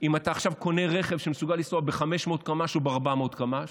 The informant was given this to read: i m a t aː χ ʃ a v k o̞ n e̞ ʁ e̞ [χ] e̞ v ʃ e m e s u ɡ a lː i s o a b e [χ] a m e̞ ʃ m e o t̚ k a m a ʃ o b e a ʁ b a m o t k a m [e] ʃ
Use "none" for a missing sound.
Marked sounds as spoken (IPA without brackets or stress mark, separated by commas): χ, χ, a